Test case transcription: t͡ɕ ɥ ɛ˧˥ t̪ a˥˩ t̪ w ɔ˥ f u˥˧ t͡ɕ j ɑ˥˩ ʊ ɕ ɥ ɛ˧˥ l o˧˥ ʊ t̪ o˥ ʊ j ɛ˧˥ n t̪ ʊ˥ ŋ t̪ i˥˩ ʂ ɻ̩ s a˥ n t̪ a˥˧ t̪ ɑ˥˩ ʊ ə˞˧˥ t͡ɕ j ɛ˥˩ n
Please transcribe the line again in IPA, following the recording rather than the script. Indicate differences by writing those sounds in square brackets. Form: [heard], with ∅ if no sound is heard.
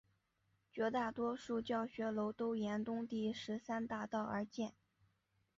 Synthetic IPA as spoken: t͡ɕ ɥ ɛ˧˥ t̪ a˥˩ t̪ w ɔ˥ [ʂ] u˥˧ t͡ɕ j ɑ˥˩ ʊ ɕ ɥ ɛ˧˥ l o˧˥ ʊ t̪ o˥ ʊ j ɛ˧˥ n t̪ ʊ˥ ŋ t̪ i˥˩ ʂ ɻ̩ s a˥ n t̪ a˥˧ t̪ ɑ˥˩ ʊ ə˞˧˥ t͡ɕ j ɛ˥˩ n